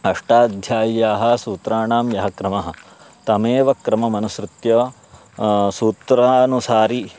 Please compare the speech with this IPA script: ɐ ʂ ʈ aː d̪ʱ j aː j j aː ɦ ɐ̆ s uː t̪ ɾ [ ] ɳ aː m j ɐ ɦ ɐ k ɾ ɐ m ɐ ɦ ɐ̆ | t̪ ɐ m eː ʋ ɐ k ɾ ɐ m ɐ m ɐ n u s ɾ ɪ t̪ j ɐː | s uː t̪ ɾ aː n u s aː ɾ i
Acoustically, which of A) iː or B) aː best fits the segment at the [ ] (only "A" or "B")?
B